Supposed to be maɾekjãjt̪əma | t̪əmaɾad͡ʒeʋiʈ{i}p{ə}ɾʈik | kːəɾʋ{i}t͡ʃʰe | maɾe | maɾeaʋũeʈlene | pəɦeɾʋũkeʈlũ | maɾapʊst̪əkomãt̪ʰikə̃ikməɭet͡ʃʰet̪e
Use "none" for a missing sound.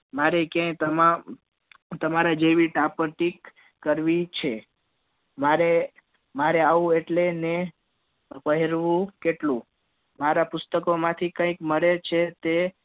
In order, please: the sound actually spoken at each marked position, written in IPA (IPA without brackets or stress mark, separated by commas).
a, ə, i